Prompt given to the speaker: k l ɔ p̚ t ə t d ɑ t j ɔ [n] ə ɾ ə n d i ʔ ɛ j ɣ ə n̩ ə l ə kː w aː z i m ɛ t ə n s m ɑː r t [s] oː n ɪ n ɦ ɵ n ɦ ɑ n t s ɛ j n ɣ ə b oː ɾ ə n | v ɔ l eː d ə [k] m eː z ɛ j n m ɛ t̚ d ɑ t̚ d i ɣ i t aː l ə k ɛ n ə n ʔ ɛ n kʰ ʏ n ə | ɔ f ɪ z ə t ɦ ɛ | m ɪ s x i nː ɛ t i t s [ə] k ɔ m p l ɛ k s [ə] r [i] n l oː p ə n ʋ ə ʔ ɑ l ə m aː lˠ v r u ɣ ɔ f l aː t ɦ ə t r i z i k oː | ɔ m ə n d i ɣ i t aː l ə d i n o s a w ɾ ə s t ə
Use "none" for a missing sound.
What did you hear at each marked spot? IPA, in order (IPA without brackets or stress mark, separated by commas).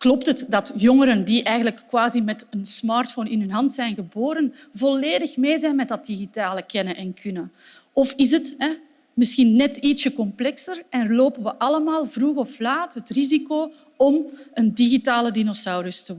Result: ŋ, f, x, ə, ə, ɛ